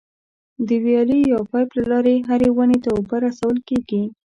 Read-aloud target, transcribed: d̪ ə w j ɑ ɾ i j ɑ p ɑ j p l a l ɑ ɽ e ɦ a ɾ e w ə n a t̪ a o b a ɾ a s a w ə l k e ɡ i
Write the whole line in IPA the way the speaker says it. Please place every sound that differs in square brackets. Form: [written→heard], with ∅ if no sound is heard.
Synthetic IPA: d̪ ə w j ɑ [ɾ→l] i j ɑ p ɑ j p l a l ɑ [ɽ→ɾ] e ɦ a ɾ e w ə n [a→e] t̪ a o b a ɾ a s a w ə l k e ɡ i